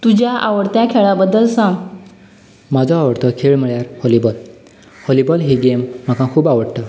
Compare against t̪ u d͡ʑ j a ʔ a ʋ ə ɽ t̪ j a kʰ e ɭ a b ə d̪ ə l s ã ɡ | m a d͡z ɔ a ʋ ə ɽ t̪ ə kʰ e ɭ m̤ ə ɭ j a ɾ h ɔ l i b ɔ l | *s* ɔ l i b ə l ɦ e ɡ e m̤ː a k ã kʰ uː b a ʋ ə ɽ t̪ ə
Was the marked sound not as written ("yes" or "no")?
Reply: yes